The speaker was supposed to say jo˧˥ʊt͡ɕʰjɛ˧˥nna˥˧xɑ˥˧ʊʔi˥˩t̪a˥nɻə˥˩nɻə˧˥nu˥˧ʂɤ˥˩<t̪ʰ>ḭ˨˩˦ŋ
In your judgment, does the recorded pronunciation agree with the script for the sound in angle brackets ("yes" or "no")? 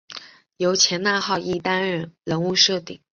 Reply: no